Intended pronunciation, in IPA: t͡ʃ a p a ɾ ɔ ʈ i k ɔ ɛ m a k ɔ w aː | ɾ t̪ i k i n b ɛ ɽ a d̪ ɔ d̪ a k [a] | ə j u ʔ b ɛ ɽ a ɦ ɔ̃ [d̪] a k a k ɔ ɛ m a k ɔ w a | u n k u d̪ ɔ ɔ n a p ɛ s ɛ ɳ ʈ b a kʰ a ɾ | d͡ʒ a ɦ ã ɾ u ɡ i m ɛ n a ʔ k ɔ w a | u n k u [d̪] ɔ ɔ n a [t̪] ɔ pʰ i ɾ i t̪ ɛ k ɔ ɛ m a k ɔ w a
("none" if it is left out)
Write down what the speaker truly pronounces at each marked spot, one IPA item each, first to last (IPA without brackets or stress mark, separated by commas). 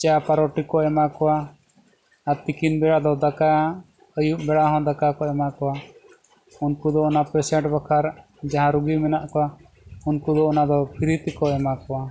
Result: a, d̪, d̪, d̪